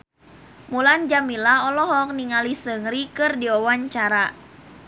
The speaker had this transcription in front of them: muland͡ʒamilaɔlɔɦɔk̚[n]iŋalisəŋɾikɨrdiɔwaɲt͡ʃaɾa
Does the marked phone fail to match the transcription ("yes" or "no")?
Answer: no